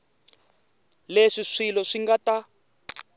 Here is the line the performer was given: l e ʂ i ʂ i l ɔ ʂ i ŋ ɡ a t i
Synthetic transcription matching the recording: l e ʂ i ʂ i l ɔ ʂ i ŋ ɡ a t a